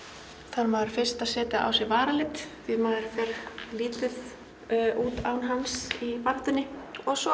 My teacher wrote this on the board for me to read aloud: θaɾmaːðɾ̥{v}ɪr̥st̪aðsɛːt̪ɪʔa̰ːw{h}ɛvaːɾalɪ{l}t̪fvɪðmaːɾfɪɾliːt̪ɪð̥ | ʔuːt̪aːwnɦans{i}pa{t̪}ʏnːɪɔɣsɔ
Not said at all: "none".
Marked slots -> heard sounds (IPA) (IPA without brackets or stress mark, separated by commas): f, s, none, i, t̪